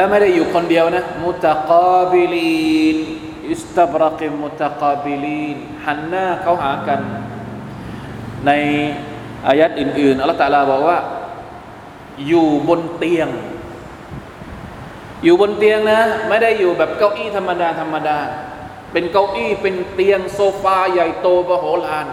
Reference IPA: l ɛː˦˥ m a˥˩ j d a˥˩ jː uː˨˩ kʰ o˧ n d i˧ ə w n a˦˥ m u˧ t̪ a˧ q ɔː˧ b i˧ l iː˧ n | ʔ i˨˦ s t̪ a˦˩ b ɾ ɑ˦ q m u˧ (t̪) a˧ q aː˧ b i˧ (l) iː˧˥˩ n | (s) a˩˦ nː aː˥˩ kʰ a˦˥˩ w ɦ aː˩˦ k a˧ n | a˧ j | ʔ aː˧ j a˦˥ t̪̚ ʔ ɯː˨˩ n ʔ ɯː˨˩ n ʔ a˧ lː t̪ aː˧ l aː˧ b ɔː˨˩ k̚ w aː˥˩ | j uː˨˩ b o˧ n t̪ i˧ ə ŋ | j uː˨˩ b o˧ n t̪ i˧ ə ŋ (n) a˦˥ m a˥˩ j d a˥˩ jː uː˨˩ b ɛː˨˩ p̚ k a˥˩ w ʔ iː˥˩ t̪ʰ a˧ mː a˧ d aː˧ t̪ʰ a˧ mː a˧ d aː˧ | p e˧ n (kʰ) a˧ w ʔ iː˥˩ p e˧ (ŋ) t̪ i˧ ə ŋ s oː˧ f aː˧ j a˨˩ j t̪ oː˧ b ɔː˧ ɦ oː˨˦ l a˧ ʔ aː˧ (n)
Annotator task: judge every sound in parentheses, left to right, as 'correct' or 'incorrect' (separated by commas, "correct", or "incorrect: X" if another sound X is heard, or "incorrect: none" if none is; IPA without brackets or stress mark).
correct, correct, incorrect: h, correct, incorrect: k, incorrect: n, correct